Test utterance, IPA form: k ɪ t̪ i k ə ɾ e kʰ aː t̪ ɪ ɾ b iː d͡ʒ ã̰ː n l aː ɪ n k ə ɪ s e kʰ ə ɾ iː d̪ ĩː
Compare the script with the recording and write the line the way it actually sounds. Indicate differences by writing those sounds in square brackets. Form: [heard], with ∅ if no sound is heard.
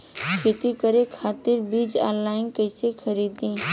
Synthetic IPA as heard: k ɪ t̪ i k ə ɾ e kʰ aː t̪ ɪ ɾ b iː d͡ʒ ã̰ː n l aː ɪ n k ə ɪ s e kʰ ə ɾ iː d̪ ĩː